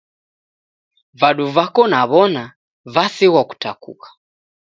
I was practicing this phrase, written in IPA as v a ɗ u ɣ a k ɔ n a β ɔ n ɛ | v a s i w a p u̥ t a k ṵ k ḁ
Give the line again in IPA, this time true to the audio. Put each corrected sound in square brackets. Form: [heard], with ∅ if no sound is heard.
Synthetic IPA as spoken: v a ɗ u [v] a k ɔ n a β ɔ n [a] | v a s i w a [k] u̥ t a k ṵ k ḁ

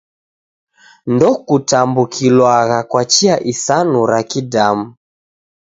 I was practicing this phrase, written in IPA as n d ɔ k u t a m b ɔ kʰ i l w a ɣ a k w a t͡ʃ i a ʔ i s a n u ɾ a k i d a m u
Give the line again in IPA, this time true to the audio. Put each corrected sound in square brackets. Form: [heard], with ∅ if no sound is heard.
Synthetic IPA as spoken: n d ɔ k u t a m b [u] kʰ i l w a ɣ a k w a t͡ʃ i a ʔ i s a n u ɾ a k i d a m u

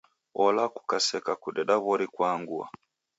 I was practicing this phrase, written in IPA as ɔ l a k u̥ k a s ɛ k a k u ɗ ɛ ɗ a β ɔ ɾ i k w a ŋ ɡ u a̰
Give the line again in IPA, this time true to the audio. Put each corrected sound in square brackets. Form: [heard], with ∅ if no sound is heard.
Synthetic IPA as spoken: ɔ l a k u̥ k a s ɛ k a k u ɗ ɛ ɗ a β ɔ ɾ i k w a ŋ ɡ u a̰

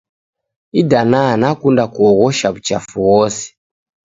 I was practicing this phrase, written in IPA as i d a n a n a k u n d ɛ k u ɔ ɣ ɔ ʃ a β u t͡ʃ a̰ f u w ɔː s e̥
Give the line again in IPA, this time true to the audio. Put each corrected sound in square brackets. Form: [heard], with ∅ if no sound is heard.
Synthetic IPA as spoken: i d a n a n a k u n d [a] k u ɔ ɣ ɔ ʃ a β u t͡ʃ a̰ f u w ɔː s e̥

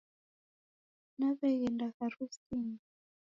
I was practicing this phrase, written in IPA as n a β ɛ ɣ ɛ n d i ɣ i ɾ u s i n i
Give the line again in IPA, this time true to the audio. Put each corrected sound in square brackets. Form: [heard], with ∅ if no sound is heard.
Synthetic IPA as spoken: n a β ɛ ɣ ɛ n d [a] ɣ [a] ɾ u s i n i

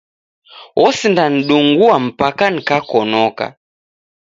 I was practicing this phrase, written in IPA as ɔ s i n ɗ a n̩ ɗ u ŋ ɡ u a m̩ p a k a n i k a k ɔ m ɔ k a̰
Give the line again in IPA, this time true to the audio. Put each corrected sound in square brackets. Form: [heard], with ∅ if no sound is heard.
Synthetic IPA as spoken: ɔ s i n [d] a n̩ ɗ u ŋ ɡ u a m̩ p a k a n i k a k ɔ [n] ɔ k a̰

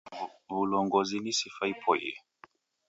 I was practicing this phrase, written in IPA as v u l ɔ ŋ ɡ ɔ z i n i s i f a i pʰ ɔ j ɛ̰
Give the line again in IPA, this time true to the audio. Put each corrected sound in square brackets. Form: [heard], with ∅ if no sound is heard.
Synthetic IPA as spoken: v u l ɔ ŋ ɡ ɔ z i n i s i f a i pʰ ɔ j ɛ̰

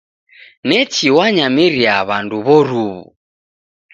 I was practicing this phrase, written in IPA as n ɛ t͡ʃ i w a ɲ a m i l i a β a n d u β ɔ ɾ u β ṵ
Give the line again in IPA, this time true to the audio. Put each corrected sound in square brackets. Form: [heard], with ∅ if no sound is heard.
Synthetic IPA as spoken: n ɛ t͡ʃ i w a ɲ a m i [ɾ] i a β a n d u β ɔ ɾ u β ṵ

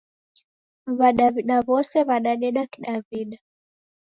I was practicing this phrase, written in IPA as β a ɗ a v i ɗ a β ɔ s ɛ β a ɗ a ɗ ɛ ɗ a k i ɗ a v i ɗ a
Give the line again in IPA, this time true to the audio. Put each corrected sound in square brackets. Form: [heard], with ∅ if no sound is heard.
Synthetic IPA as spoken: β a ɗ a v i ɗ a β ɔ s ɛ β a ɗ a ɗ ɛ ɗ a k i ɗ a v i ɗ a

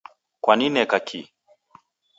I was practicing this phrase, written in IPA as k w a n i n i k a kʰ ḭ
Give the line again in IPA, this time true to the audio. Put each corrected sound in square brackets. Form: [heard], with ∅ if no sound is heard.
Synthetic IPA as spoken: k w a n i n [ɛ] k a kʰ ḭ

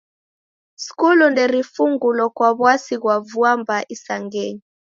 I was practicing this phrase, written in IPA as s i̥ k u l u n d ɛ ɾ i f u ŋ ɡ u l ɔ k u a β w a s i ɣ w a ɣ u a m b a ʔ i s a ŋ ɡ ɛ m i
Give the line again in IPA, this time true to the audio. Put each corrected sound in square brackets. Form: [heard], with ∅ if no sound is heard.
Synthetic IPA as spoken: s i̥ k u l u n d ɛ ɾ i f u ŋ ɡ u l ɔ k [w] a β w a s i ɣ w a [v] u a m b a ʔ i s a ŋ ɡ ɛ [ɲ] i

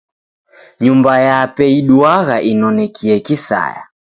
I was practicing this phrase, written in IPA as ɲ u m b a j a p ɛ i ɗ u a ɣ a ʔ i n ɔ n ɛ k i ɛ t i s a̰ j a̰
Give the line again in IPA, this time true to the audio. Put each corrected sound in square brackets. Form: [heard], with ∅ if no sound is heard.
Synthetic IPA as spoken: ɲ u m b a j a p ɛ i ɗ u a ɣ a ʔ i n ɔ n ɛ k i ɛ [k] i s a̰ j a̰

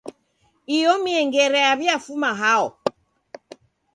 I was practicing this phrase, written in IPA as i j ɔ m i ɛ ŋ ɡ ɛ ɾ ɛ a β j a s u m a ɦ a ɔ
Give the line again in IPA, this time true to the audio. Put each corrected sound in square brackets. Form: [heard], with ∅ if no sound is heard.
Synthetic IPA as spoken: i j ɔ m i ɛ ŋ ɡ ɛ ɾ ɛ a β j a [f] u m a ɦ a ɔ

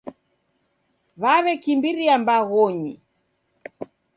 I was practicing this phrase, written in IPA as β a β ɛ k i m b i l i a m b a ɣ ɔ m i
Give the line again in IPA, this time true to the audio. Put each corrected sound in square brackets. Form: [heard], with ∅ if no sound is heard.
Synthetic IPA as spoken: β a β ɛ k i m b i [ɾ] i a m b a ɣ ɔ [ɲ] i

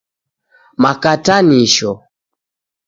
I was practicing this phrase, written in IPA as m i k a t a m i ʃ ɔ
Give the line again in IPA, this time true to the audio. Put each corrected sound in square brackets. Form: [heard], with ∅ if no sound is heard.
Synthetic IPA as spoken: m [a] k a t a [n] i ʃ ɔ

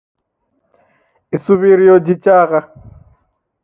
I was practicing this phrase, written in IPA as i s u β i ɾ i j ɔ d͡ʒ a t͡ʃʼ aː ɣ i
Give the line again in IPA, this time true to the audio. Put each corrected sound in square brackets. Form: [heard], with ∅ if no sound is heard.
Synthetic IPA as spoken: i s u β i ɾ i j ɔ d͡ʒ [i] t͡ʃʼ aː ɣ [a]

